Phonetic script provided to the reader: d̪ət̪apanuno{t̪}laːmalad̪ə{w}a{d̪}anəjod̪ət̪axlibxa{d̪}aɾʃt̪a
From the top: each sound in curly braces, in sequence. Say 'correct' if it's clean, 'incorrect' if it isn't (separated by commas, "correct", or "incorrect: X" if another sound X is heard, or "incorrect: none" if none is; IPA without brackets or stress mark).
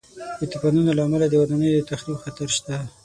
incorrect: none, correct, correct, incorrect: t̪